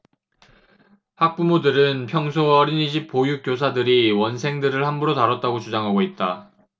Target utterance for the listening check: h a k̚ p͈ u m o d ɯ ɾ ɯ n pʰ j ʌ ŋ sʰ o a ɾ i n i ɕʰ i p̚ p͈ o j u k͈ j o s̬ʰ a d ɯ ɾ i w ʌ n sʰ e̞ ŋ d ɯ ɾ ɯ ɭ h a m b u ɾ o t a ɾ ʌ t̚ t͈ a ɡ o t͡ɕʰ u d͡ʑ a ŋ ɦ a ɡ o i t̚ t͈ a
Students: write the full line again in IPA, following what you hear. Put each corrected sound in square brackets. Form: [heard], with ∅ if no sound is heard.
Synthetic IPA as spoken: h a k̚ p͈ u m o d ɯ ɾ ɯ n pʰ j ʌ ŋ sʰ o [ʌ] ɾ i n i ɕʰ i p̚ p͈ o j u k͈ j o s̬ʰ a d ɯ ɾ i w ʌ n sʰ e̞ ŋ d ɯ ɾ ɯ ɭ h a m b u ɾ o t a ɾ ʌ t̚ t͈ a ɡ o [t͡ɕ] u d͡ʑ a ŋ ɦ a ɡ o i t̚ t͈ a